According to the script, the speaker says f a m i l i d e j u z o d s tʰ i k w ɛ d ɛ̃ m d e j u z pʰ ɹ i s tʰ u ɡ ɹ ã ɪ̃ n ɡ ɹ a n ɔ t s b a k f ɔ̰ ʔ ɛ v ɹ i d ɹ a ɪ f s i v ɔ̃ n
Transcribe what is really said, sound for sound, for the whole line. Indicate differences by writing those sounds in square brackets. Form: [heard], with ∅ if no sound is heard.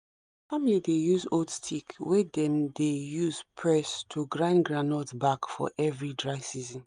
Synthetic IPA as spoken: f a m i l i d e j u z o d s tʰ i k w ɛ d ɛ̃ m d e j u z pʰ ɹ [ɛ] s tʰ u ɡ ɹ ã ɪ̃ n ɡ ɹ a n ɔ t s b a k f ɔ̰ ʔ ɛ v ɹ i d ɹ a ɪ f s i [z] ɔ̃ n